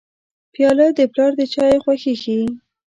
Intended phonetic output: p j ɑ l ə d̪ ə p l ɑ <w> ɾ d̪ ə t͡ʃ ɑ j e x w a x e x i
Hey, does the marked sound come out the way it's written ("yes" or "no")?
no